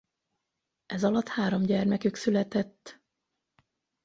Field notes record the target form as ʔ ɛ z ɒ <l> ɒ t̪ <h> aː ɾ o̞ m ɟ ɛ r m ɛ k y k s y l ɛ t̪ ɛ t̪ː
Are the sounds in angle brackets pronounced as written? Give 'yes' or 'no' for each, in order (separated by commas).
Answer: yes, yes